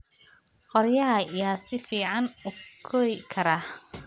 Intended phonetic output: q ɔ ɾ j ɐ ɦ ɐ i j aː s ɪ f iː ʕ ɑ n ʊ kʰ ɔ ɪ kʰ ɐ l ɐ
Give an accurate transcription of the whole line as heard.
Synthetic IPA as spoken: q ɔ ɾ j ɐ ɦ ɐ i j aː s ɪ f iː ʕ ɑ n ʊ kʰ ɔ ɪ kʰ ɐ ɾ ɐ